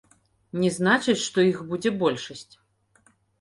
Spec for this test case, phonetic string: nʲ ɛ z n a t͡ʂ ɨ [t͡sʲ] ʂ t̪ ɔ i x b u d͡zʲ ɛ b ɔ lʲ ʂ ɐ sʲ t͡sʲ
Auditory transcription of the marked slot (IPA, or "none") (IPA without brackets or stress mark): t͡sʲ